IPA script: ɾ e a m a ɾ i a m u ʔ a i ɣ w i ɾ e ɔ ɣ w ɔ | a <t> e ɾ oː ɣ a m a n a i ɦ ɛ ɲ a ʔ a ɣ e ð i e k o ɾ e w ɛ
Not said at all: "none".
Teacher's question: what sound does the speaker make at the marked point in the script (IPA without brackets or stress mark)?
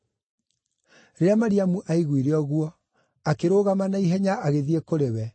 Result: k